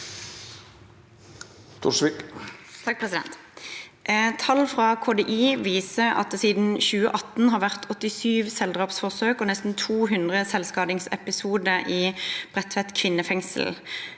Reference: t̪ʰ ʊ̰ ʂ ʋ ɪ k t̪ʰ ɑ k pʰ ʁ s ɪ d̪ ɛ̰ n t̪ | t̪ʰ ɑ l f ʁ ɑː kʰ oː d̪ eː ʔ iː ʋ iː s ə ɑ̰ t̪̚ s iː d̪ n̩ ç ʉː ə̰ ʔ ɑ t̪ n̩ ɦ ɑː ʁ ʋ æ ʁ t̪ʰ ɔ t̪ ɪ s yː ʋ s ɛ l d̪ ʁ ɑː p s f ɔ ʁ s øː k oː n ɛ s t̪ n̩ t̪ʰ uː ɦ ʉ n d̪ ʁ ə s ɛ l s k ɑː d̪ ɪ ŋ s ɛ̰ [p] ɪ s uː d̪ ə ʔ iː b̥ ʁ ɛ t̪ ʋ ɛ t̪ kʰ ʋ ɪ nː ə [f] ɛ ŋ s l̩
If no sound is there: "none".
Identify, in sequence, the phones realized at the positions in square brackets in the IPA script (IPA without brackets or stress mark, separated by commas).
p, f